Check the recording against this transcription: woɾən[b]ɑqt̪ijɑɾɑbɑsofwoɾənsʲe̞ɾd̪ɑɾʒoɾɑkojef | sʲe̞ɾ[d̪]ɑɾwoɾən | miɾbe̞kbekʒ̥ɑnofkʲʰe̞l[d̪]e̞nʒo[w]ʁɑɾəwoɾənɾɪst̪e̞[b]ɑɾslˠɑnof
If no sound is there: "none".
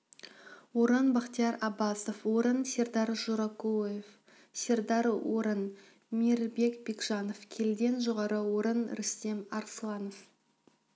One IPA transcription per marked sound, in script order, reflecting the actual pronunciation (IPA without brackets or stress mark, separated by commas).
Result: b, d̪, d̪, none, m